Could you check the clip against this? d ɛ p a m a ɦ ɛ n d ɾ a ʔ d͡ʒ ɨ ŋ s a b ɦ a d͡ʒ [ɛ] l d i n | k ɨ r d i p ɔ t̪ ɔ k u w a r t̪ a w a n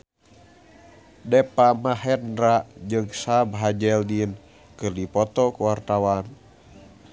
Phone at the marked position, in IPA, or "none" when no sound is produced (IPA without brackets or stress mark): ɛ